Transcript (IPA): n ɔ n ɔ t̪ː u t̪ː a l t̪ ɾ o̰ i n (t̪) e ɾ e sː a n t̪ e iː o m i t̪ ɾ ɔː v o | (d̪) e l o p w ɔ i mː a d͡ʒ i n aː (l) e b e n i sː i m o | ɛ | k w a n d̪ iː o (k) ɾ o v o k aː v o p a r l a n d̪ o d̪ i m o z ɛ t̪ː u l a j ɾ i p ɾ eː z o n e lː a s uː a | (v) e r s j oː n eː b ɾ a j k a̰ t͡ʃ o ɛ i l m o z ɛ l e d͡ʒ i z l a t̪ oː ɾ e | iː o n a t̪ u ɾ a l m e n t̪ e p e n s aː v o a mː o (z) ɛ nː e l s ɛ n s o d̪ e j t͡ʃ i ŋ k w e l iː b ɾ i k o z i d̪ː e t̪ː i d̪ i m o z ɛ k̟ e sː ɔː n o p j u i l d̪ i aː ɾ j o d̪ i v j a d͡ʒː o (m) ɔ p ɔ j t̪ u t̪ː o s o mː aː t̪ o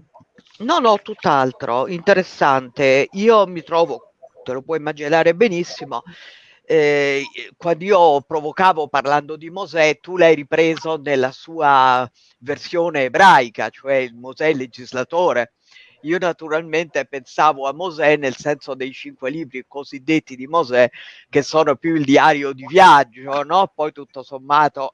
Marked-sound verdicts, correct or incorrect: correct, incorrect: t̪, incorrect: ɾ, incorrect: p, correct, correct, incorrect: n

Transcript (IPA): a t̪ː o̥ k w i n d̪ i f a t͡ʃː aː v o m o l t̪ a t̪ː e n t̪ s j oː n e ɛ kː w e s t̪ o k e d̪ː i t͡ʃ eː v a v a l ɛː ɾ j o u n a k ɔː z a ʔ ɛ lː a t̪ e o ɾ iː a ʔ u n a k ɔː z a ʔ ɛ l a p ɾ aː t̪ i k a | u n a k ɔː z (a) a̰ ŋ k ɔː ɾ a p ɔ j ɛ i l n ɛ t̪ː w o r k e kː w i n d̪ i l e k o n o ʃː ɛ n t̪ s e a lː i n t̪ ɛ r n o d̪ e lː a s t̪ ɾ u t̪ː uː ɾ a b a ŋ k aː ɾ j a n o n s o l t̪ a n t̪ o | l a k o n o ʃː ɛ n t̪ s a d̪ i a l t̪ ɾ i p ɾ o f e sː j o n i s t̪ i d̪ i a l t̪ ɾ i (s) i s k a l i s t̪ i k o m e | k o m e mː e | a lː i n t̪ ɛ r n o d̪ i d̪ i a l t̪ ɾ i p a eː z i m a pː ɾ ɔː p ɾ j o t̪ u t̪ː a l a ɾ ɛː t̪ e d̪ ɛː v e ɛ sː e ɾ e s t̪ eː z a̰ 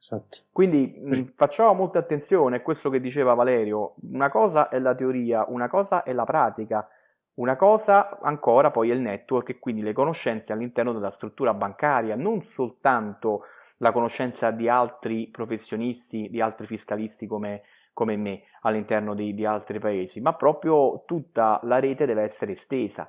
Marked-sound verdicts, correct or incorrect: correct, incorrect: f

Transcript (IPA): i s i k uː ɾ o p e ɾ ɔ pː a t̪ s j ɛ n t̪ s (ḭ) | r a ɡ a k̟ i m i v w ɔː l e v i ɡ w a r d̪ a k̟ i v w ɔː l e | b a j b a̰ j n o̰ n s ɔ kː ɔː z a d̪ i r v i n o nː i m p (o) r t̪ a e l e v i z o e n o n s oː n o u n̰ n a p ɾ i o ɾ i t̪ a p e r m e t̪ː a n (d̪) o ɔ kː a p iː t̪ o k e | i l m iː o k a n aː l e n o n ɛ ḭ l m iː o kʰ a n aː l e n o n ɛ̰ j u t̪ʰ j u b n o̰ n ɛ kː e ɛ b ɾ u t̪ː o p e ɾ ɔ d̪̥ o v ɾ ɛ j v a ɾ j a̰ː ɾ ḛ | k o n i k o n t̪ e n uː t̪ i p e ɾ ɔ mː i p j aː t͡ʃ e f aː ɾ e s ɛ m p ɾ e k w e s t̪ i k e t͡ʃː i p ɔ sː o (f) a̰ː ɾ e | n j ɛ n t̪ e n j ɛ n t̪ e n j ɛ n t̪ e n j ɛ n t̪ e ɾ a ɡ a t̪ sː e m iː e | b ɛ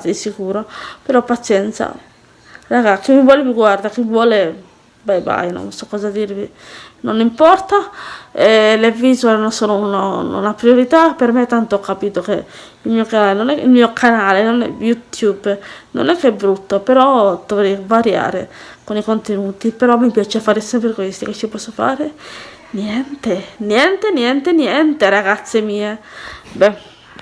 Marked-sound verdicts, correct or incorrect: incorrect: a̰, incorrect: ɔ, incorrect: t̪, correct

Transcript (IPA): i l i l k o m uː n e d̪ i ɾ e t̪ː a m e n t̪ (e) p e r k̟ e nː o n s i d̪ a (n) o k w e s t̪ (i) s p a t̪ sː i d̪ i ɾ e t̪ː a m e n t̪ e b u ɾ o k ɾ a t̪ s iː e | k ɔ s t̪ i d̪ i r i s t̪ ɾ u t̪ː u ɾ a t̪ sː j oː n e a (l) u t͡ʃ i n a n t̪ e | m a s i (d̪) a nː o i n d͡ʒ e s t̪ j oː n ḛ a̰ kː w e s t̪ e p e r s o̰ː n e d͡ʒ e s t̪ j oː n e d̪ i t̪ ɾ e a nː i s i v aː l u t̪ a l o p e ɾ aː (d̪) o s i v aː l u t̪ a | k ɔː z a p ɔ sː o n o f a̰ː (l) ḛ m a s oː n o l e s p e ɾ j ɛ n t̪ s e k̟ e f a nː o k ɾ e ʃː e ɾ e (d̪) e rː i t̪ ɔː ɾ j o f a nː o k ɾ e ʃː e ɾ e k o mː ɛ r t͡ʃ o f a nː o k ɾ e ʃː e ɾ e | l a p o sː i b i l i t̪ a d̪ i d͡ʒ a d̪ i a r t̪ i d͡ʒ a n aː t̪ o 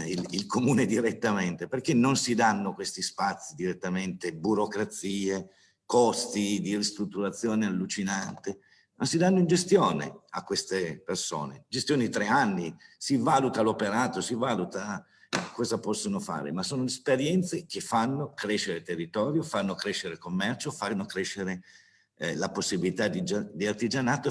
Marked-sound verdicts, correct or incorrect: correct, incorrect: nː, correct, incorrect: lː, correct, incorrect: t̪, incorrect: ɾ, incorrect: t̪

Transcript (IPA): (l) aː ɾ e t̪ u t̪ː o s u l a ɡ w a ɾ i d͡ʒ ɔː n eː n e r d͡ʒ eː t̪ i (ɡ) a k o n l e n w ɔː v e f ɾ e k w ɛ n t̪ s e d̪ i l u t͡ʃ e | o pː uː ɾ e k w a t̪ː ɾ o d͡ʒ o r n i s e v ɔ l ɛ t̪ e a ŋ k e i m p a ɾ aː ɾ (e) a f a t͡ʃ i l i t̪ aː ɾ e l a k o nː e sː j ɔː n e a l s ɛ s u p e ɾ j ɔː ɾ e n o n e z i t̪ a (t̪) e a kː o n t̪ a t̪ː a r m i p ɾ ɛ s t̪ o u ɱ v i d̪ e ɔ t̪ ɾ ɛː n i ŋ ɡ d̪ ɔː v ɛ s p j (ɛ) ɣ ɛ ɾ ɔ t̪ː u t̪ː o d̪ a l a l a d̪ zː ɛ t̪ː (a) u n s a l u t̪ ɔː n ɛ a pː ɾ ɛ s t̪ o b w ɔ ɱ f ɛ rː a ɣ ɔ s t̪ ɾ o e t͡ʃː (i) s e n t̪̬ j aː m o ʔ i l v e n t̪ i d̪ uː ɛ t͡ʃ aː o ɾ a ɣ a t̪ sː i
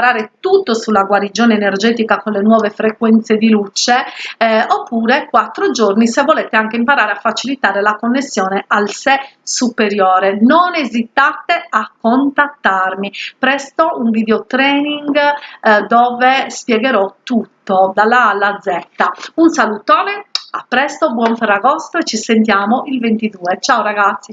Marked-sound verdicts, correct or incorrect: incorrect: ɾ, incorrect: k, correct, correct, correct, correct, correct

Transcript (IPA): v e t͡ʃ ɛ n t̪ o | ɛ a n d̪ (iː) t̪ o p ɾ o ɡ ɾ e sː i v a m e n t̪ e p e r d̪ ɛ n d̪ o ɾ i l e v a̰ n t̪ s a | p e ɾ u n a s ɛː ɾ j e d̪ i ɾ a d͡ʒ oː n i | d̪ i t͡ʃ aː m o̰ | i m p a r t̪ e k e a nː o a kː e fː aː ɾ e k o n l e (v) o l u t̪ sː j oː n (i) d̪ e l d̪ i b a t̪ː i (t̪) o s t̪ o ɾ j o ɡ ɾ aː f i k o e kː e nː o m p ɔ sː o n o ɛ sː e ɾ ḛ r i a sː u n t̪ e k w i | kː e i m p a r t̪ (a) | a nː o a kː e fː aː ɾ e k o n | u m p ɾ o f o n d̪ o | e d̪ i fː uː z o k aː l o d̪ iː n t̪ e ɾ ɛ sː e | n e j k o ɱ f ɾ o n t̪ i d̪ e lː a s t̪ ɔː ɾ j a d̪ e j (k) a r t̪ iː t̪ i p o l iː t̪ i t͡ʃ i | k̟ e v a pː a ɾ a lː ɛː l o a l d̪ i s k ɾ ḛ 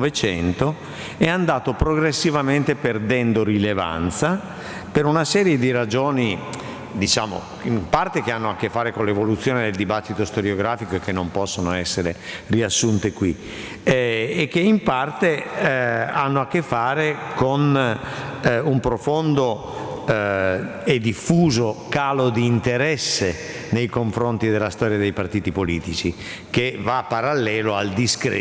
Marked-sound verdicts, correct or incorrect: incorrect: aː, correct, incorrect: e, correct, incorrect: e, incorrect: p

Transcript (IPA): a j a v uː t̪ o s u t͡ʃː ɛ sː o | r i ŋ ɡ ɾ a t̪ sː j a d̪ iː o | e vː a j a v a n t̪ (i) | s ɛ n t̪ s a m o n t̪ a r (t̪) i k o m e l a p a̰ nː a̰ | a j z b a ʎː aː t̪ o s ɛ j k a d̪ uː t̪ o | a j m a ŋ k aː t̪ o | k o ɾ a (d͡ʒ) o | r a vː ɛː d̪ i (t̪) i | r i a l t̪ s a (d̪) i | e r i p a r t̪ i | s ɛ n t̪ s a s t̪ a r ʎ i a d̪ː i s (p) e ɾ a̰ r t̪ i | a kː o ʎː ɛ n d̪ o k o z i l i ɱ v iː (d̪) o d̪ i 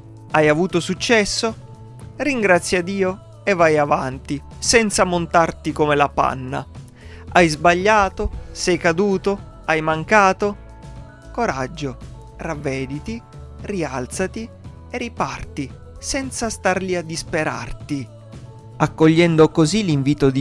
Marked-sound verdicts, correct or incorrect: correct, correct, incorrect: d͡ʒː, correct, incorrect: t̪, correct, incorrect: t̪

